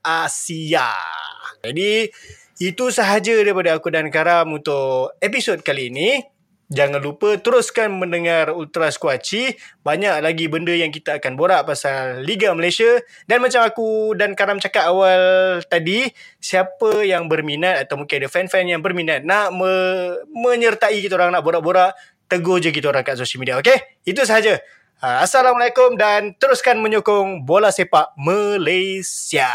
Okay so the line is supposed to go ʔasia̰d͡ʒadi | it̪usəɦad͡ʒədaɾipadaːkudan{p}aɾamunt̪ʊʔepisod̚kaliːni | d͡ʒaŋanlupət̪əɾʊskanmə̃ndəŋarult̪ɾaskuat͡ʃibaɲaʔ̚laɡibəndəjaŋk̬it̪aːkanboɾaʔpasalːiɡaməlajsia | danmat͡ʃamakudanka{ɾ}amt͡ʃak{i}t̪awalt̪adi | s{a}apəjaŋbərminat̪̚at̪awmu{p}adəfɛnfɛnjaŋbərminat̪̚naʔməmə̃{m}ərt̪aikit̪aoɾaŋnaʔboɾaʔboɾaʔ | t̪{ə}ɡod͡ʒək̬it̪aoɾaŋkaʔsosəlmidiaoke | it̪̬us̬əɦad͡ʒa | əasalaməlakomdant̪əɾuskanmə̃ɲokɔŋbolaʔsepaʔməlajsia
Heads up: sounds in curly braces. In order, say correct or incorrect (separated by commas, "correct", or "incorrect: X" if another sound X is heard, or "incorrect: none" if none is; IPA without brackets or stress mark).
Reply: incorrect: k, correct, incorrect: a, incorrect: i, incorrect: k, incorrect: ɲ, correct